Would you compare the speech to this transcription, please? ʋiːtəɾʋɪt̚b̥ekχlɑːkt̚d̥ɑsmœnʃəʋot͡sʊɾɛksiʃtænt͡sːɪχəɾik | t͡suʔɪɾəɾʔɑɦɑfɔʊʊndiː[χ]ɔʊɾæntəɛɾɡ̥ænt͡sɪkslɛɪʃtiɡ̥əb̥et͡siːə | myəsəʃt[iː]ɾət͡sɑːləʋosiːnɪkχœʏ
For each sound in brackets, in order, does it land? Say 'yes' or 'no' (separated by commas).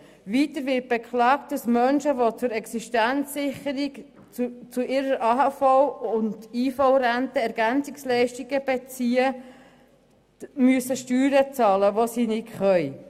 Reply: no, no